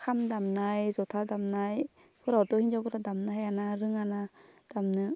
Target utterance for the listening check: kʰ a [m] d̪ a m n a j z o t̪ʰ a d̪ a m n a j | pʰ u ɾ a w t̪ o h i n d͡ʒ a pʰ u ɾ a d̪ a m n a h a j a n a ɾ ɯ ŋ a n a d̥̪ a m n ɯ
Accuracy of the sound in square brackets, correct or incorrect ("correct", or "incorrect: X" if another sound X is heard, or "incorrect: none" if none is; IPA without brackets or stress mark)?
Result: correct